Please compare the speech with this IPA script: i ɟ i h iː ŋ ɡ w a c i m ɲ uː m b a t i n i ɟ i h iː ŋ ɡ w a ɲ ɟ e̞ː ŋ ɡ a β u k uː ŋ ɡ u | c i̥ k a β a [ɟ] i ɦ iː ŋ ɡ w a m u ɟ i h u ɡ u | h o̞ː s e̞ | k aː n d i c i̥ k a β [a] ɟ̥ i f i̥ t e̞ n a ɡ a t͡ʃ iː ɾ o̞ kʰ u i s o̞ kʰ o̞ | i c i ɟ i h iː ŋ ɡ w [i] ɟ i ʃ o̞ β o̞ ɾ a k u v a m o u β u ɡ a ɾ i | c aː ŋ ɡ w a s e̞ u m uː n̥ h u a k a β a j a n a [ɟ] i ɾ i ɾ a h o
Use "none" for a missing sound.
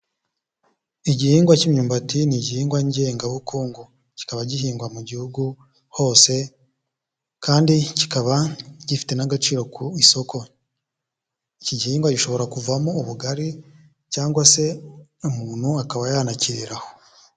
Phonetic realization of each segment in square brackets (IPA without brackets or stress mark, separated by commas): ɟ, a, a, c